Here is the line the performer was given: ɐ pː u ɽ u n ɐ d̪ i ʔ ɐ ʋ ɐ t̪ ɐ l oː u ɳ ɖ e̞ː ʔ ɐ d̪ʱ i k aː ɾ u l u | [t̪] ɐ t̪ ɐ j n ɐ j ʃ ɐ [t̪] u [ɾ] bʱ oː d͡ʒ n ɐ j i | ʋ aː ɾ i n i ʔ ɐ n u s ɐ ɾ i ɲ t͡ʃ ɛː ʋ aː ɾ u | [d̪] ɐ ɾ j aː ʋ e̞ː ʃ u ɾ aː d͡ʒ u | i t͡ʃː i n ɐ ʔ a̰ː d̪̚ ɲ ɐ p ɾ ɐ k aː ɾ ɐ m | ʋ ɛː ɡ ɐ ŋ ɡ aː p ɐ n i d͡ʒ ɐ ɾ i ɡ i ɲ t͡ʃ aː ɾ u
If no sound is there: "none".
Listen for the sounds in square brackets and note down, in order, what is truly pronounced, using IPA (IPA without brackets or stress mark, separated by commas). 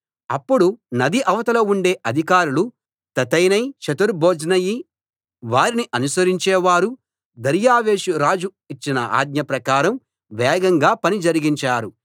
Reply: t̪, t̪, ɾ, d̪